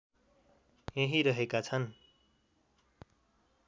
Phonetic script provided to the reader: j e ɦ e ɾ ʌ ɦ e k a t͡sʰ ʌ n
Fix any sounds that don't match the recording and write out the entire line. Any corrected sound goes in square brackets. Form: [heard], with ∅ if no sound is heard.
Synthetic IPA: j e ɦ [i] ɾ ʌ ɦ e k a t͡sʰ ʌ n